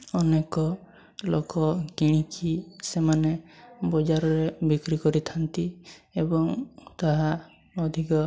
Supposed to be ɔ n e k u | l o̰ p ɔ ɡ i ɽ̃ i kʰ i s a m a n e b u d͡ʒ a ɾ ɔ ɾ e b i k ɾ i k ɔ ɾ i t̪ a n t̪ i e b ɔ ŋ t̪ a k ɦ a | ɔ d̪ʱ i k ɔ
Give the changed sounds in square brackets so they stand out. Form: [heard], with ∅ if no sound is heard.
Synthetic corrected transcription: ɔ n e k [ɔ] | l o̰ [k] ɔ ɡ i ɽ̃ i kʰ i s [e] m a n e b [ɔ] d͡ʒ a ɾ ɔ ɾ e b i k ɾ i k ɔ ɾ i [t̪ʰ] a n t̪ i e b ɔ ŋ t̪ a [∅] ɦ a | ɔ d̪ʱ i k ɔ

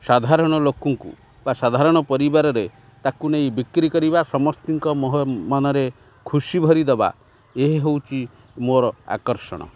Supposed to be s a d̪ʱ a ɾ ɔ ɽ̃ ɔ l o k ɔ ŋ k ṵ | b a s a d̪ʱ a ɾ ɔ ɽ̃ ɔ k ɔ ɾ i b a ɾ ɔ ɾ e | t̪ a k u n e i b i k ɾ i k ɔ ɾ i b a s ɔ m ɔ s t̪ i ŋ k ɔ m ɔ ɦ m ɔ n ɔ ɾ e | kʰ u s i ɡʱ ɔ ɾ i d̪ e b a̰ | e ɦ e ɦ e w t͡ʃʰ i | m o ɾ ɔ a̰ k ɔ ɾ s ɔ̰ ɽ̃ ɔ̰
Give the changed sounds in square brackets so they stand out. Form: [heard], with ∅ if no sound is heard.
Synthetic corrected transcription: s a d̪ʱ a ɾ ɔ ɽ̃ ɔ l o k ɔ ŋ k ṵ | b a s a d̪ʱ a ɾ ɔ ɽ̃ ɔ [p] ɔ ɾ i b a ɾ ɔ ɾ e | t̪ a k u n e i b i k ɾ i k ɔ ɾ i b a s ɔ m ɔ s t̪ i ŋ k ɔ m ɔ ɦ m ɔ n ɔ ɾ e | kʰ u s i [bʱ] ɔ ɾ i d̪ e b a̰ | e ɦ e ɦ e w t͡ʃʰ i | m o ɾ ɔ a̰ k ɔ ɾ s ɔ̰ ɽ̃ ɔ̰

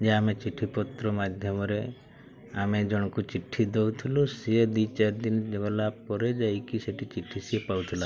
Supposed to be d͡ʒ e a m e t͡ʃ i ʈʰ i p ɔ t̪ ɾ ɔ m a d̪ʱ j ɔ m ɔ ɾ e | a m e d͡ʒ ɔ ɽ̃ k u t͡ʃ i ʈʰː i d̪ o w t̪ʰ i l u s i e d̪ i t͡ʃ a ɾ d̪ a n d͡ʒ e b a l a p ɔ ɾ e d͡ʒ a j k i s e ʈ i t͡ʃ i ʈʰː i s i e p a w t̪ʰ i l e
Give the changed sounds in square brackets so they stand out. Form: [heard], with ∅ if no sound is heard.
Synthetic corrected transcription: d͡ʒ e a m e t͡ʃ i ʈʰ i p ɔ t̪ ɾ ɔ m a d̪ʱ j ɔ m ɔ ɾ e | a m e d͡ʒ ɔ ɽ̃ k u t͡ʃ i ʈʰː i d̪ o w t̪ʰ i l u s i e d̪ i t͡ʃ a ɾ d̪ [i] n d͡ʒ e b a l a p ɔ ɾ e d͡ʒ a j k i s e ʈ i t͡ʃ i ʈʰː i s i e p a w t̪ʰ i l [a]

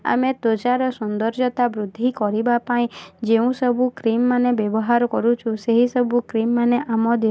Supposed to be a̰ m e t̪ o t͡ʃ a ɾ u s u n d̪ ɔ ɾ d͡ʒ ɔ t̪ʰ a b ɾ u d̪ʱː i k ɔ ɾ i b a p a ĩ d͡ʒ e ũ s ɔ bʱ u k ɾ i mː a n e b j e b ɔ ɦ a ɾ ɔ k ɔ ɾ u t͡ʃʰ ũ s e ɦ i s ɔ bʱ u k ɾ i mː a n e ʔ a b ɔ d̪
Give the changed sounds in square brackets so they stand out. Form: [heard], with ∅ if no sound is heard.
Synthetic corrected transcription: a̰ m e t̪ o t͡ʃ a ɾ [ɔ] s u n d̪ ɔ ɾ d͡ʒ ɔ [t̪] a b ɾ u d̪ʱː i k ɔ ɾ i b a p a ĩ d͡ʒ e ũ s ɔ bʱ u k ɾ i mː a n e b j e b ɔ ɦ a ɾ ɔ k ɔ ɾ u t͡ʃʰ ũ s e ɦ i s ɔ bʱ u k ɾ i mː a n e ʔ a [m] ɔ d̪

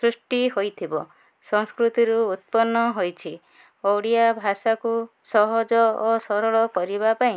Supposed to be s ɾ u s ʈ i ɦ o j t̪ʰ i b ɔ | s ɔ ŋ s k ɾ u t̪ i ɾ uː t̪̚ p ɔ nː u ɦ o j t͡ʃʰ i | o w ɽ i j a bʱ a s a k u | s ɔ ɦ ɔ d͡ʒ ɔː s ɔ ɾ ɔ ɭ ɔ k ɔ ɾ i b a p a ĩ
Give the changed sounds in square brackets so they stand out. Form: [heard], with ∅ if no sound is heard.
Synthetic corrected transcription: s ɾ u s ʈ i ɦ o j t̪ʰ i b ɔ | s ɔ ŋ s k ɾ u t̪ i ɾ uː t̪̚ p ɔ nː [ɔ] ɦ o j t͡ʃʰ i | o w ɽ i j a bʱ a s a k u | s ɔ ɦ ɔ d͡ʒ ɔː s ɔ ɾ ɔ ɭ ɔ k ɔ ɾ i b a p a ĩ

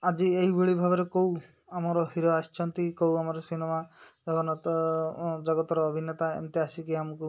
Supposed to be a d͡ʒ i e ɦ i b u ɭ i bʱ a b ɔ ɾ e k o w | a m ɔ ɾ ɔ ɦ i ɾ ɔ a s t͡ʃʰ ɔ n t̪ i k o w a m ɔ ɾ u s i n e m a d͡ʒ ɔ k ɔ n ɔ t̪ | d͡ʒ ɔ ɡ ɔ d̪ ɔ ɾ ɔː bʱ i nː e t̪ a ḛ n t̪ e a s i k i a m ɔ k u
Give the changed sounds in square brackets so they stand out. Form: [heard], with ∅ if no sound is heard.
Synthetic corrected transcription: a d͡ʒ i e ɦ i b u ɭ i bʱ a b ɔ ɾ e k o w | a m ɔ ɾ ɔ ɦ i ɾ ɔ a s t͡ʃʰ ɔ n t̪ i k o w a m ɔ ɾ [ɔ] s i n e m a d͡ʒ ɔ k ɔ n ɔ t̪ | d͡ʒ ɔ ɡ ɔ [t̪] ɔ ɾ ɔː bʱ i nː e t̪ a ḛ n t̪ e a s i k i a m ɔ k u

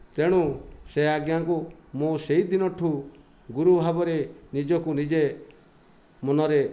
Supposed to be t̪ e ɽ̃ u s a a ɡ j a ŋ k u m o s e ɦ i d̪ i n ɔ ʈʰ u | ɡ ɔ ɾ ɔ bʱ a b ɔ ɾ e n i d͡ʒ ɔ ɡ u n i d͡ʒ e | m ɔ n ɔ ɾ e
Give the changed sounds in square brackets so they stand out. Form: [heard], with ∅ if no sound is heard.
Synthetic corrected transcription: t̪ e ɽ̃ u s [e] a ɡ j a ŋ k u m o s e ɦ i d̪ i n ɔ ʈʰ u | ɡ [u] ɾ [u] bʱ a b ɔ ɾ e n i d͡ʒ ɔ [k] u n i d͡ʒ e | m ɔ n ɔ ɾ e

